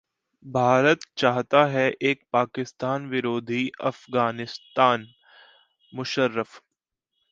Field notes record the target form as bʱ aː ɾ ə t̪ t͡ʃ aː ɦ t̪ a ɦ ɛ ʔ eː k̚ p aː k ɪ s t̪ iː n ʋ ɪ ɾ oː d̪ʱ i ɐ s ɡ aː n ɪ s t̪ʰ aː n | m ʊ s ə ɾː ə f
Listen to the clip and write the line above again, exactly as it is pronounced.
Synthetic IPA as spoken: bʱ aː ɾ ə t̪ t͡ʃ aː ɦ t̪ a ɦ ɛ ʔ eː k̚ p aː k ɪ s t̪ aː n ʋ ɪ ɾ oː d̪ʱ i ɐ f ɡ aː n ɪ s t̪ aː n | m ʊ ʃ ə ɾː ə f